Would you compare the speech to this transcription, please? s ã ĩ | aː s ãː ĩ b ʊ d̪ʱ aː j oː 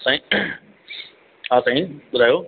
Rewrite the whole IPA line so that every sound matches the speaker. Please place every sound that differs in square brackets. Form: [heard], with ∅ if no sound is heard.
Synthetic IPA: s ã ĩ | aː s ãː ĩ [ɓ] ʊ d̪ʱ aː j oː